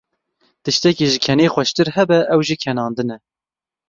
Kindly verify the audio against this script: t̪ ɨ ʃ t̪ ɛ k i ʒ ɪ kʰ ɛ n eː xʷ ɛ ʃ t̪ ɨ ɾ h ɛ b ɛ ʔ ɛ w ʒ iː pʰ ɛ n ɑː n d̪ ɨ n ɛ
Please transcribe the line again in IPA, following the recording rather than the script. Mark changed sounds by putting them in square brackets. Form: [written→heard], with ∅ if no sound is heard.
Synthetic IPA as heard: t̪ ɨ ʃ t̪ ɛ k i ʒ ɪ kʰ ɛ n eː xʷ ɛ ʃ t̪ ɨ ɾ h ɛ b ɛ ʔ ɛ w ʒ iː [pʰ→kʰ] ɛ n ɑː n d̪ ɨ n ɛ